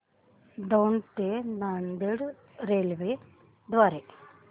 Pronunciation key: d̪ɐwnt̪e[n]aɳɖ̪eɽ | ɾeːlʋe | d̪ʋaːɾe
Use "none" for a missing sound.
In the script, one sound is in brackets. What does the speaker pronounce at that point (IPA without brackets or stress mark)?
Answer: n